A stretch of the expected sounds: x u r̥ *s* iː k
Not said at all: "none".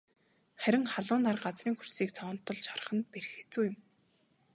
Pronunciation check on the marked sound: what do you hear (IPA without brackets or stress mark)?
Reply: s